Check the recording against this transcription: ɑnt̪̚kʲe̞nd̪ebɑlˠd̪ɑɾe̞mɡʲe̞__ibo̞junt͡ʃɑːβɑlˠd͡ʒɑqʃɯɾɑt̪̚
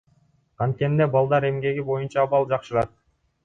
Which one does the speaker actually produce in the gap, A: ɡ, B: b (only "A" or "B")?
A